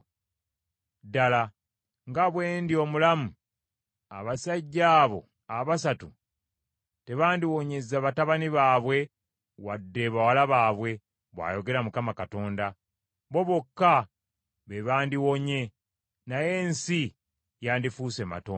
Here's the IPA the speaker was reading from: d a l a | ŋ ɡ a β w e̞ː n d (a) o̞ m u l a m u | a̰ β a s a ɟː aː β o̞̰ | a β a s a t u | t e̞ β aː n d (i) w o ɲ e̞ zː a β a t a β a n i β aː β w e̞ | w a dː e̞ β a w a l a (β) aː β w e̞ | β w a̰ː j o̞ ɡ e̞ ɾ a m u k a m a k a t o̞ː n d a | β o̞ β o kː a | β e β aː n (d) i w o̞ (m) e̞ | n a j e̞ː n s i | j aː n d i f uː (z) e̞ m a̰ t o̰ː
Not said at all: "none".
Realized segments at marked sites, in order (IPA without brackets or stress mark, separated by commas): i, i, β, d, ɲ, s